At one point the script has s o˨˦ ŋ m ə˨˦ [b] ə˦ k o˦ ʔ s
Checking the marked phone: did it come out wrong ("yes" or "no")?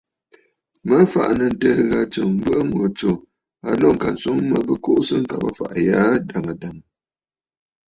no